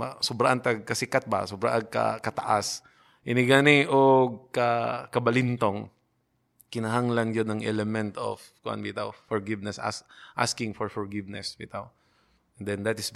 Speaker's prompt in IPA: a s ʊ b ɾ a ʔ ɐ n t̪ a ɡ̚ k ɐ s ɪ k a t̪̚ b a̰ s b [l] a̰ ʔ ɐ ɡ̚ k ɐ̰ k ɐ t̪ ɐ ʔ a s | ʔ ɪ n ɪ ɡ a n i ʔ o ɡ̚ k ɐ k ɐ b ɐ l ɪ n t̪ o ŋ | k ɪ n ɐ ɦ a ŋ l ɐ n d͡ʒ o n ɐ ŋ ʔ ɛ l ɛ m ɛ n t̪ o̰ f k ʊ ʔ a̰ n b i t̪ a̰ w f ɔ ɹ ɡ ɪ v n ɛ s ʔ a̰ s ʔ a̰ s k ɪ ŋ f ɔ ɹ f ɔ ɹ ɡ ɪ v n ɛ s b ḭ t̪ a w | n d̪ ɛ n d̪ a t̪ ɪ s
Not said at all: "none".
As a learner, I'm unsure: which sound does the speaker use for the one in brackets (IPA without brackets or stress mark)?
ɾ